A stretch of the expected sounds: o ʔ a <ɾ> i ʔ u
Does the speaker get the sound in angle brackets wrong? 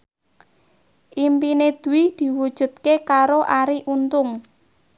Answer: no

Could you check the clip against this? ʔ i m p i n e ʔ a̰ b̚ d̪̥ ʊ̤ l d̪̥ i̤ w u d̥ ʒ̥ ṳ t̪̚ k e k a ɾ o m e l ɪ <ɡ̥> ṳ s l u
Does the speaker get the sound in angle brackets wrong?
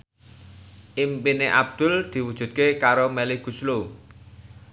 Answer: no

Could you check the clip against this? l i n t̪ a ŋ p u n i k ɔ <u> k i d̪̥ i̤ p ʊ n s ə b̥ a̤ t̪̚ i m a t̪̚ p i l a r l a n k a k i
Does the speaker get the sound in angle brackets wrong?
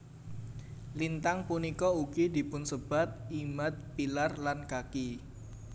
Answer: no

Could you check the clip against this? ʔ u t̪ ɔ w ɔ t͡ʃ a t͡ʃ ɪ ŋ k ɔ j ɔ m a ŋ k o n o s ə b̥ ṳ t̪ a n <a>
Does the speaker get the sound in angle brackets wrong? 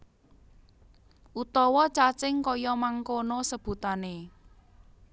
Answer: yes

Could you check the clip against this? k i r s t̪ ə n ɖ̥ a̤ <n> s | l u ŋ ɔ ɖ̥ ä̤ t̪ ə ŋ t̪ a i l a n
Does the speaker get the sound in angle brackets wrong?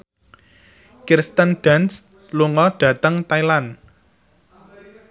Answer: no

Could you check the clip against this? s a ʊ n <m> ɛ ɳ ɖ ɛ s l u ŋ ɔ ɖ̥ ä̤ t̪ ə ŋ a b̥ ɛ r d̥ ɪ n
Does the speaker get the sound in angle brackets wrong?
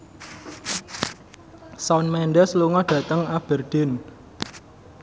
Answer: no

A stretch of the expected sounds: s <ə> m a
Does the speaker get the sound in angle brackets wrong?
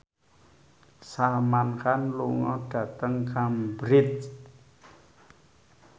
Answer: yes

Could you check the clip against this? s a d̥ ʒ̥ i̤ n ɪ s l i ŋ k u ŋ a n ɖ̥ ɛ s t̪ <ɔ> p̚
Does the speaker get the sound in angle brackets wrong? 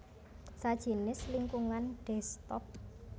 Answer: no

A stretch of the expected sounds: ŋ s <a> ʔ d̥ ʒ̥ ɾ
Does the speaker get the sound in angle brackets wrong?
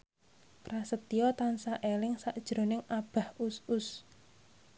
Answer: no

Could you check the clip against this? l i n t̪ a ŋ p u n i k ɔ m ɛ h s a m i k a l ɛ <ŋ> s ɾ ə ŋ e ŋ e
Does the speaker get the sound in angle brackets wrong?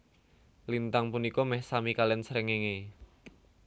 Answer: yes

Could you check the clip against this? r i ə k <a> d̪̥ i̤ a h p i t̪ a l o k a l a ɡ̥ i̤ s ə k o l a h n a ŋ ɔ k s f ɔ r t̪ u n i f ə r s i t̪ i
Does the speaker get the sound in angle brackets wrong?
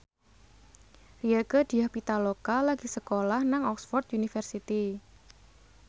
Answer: yes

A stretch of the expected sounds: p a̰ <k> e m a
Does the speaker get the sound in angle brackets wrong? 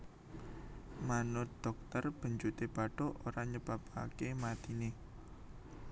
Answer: no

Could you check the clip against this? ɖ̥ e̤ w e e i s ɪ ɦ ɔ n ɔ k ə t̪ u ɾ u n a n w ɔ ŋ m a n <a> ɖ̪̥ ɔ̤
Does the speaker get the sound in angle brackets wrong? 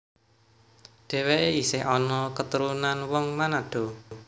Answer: no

